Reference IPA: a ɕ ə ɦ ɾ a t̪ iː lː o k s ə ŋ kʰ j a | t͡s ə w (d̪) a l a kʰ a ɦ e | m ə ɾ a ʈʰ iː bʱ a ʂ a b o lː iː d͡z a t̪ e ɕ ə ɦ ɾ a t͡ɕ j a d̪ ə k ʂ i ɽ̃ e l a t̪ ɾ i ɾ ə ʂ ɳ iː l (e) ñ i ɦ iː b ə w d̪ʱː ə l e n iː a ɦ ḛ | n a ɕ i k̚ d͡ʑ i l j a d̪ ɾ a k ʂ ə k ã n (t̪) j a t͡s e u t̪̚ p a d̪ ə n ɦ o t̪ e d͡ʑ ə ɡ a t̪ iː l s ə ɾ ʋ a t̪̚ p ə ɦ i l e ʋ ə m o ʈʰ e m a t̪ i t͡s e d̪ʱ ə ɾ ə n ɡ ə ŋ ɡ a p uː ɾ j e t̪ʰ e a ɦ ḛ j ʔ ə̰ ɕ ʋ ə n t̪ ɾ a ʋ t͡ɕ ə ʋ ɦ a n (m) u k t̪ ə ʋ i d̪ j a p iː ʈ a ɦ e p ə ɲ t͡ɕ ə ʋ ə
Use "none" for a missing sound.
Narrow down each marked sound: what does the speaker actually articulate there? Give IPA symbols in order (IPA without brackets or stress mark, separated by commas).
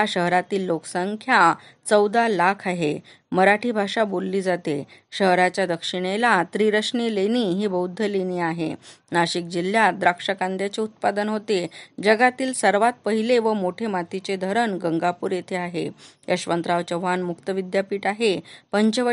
d̪, e, d̪, m